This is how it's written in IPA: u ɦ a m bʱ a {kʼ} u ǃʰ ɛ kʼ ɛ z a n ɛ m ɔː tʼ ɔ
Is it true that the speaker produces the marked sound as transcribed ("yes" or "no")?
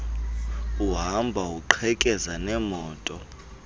no